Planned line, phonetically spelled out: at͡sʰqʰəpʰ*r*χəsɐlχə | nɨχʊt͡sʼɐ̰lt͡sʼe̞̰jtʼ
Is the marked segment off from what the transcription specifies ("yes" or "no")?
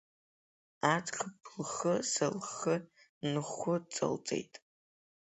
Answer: yes